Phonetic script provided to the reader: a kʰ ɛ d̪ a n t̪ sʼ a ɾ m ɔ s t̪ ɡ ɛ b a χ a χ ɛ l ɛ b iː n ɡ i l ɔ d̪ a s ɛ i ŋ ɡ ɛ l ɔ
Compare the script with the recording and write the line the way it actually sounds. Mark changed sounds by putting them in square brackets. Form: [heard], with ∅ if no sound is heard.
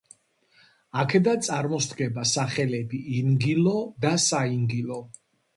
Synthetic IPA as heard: a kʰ ɛ d̪ a n t̪ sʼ a ɾ m ɔ s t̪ ɡ ɛ b a [s] a χ ɛ l ɛ b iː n ɡ i l ɔ d̪ a s [a] i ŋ ɡ [i] l ɔ